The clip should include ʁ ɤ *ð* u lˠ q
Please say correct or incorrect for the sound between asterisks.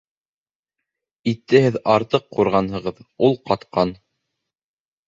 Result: correct